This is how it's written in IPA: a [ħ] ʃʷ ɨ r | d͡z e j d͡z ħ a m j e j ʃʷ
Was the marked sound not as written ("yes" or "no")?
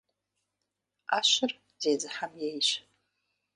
yes